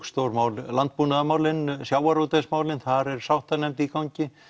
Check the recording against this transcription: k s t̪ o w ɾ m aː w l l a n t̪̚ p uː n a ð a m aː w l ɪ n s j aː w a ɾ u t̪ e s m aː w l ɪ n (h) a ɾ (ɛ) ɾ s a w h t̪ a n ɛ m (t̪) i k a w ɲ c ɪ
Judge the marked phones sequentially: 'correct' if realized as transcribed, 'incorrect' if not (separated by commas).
incorrect, correct, correct